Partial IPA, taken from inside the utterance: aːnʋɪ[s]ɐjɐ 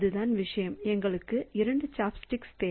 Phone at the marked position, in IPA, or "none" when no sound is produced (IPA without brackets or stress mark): ʂ